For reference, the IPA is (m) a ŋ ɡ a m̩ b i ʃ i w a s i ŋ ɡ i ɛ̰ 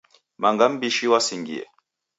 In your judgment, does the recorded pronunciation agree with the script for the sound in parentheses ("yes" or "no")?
yes